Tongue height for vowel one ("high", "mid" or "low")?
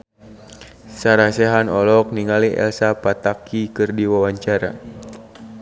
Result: low